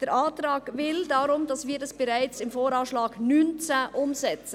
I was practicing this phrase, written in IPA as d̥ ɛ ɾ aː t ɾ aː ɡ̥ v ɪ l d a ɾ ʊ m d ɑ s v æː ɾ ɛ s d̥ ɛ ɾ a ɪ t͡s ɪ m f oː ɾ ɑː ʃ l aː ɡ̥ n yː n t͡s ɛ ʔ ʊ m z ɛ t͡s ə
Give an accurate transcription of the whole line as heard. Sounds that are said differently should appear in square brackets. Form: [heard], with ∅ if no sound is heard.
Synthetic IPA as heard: d̥ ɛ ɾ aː t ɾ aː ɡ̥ v ɪ l d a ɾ ʊ m d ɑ s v [iː] ɾ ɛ s [b̥] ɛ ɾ a ɪ t͡s ɪ m f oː ɾ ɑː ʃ l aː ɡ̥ n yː n t͡s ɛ ʔ ʊ m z ɛ t͡s ə